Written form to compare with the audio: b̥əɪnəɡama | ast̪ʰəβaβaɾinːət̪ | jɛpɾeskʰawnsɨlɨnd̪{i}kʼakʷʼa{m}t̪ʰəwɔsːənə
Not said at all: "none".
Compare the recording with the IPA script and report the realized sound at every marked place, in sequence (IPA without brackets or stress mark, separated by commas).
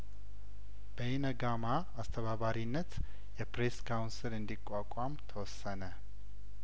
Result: i, m